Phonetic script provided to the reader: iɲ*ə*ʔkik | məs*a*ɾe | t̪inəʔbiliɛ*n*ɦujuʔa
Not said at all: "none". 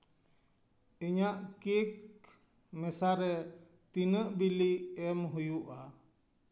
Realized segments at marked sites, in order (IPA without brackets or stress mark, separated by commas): a, a, m